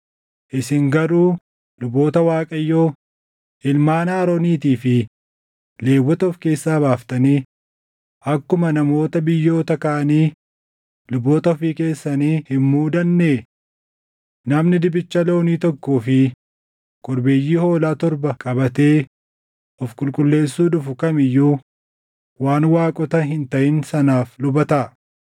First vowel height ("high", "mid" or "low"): high